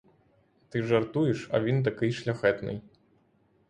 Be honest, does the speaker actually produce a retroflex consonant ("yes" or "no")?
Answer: yes